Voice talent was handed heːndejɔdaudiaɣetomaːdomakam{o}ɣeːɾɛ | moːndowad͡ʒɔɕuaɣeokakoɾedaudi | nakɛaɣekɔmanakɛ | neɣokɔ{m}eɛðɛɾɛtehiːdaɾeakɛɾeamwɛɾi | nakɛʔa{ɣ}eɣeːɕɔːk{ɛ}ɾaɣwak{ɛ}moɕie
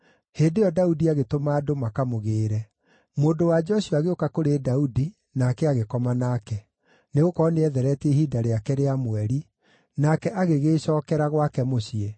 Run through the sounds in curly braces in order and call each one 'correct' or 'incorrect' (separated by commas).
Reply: correct, incorrect, correct, correct, correct